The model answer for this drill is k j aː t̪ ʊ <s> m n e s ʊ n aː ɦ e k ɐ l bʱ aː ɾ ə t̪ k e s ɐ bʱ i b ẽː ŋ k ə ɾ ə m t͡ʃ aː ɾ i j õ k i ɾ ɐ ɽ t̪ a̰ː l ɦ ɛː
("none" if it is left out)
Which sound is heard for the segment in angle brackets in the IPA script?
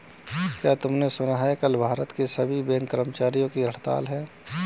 none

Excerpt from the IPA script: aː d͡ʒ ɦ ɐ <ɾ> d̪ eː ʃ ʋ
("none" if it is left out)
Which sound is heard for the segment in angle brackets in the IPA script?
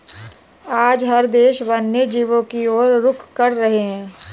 ɾ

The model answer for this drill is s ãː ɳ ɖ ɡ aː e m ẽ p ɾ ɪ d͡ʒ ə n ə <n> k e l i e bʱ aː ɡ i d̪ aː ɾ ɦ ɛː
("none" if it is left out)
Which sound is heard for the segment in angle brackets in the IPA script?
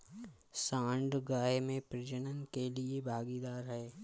n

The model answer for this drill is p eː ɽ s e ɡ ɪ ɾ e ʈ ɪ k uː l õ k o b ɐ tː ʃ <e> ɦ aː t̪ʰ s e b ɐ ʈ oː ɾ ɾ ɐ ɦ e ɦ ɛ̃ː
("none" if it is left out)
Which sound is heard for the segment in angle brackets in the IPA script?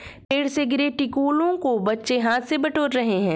e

